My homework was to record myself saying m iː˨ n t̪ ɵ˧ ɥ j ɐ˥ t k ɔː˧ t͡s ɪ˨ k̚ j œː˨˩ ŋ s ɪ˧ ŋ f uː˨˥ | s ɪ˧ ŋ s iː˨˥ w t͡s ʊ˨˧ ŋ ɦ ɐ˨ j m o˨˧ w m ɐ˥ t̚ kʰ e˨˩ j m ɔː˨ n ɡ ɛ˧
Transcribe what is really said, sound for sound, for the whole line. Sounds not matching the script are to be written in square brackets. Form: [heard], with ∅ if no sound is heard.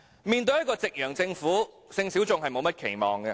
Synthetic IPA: m iː˨ n t̪ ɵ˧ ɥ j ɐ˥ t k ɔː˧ t͡s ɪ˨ k̚ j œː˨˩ ŋ [t͡s] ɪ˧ ŋ f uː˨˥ | s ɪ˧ ŋ s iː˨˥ w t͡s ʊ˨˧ ŋ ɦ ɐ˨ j m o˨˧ w m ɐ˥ t̚ kʰ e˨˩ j m ɔː˨ [ŋ] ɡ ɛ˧